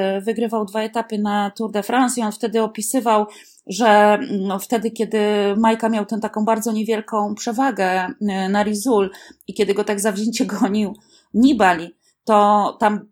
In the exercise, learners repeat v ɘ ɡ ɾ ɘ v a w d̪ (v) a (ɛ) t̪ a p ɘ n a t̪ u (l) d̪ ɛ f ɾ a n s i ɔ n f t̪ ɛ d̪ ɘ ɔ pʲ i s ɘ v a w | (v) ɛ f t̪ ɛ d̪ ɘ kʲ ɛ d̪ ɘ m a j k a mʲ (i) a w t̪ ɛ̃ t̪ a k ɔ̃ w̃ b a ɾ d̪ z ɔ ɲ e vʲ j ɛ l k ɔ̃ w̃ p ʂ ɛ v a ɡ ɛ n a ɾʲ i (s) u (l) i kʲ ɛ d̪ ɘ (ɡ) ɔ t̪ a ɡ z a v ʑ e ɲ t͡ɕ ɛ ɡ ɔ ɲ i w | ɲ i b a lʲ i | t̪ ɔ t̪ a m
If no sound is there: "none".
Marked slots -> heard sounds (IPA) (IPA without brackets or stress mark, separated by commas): v, ɛ, ɾ, ʐ, j, z, l, ɡ